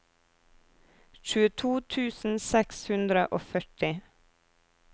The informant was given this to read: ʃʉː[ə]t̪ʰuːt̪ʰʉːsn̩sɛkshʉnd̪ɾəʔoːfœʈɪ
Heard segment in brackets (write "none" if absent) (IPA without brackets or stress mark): ə